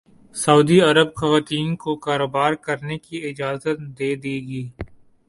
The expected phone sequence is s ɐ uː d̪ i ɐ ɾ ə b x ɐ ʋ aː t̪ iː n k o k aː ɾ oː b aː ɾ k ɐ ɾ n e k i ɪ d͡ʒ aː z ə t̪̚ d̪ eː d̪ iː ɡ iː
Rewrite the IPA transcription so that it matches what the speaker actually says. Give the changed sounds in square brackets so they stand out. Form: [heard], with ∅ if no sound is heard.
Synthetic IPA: s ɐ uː d̪ i ɐ ɾ ə b x ɐ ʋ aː t̪ iː n k o k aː ɾ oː b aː ɾ k ɐ ɾ n e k i ɪ d͡ʒ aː z ə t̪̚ d̪ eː d̪ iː ɡ iː